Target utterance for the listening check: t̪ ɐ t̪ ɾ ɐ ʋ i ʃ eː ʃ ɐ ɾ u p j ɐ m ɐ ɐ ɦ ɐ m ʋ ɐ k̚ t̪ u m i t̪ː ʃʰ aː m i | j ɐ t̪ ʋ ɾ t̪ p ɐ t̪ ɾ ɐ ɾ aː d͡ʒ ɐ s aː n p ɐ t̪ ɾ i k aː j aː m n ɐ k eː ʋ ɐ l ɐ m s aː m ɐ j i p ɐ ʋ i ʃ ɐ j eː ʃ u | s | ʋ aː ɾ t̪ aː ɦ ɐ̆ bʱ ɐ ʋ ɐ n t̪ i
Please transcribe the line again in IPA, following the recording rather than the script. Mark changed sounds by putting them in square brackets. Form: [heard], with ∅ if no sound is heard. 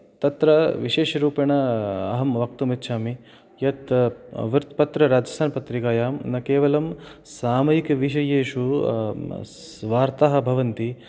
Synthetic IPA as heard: t̪ ɐ t̪ ɾ ɐ ʋ i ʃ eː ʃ ɐ ɾ [uː] p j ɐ [ɳ] ɐ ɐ ɦ ɐ m ʋ ɐ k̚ t̪ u m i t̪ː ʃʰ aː m i | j ɐ t̪ ʋ ɾ t̪ p ɐ t̪ ɾ ɐ ɾ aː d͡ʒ ɐ s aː n p ɐ t̪ ɾ i k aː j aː m n ɐ k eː ʋ ɐ l ɐ m s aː m ɐ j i [k] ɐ ʋ i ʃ ɐ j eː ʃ u | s | ʋ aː ɾ t̪ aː ɦ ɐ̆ bʱ ɐ ʋ ɐ n t̪ i